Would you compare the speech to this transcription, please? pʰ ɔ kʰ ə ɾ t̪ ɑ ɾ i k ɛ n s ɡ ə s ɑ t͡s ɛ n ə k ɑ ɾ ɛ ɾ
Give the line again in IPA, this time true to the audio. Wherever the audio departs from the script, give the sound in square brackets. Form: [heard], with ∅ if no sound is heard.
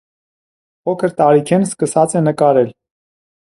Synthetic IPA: pʰ ɔ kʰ ə ɾ t̪ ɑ ɾ i [kʰ] ɛ n s [k] ə s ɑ t͡s ɛ n ə k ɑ ɾ ɛ [l]